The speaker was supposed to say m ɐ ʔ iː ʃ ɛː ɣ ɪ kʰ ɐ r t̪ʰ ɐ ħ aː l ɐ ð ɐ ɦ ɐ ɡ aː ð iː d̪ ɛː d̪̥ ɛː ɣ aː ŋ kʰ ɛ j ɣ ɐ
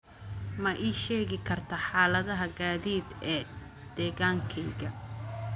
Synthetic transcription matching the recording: m ɐ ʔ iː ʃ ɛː ɣ ɪ kʰ ɐ r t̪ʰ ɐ ħ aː l ɐ ð ɐ ɦ ɐ ɡ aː ð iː d̪ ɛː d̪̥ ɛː ɣ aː ŋ kʰ ɛ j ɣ ɐ